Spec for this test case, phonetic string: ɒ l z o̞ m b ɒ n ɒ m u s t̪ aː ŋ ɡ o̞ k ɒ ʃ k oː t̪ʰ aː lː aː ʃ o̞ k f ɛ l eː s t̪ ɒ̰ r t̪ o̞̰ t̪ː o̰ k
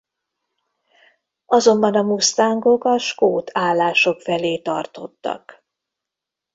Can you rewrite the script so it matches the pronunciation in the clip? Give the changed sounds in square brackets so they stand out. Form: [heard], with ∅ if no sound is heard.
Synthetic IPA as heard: ɒ [∅] z o̞ m b ɒ n ɒ m u s t̪ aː ŋ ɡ o̞ k ɒ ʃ k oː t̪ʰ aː lː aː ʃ o̞ k f ɛ l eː [∅] t̪ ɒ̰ r t̪ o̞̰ t̪ː [ɒ̰] k